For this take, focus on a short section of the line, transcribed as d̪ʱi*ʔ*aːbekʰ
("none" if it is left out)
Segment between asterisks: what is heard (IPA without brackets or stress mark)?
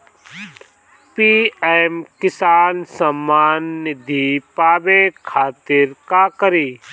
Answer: p